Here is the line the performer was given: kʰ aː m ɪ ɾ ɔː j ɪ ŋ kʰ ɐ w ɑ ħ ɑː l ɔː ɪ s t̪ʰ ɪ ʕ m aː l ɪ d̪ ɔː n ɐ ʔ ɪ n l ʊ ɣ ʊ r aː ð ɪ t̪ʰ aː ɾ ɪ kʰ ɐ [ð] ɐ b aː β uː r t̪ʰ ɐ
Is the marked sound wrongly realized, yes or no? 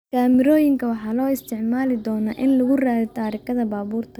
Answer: no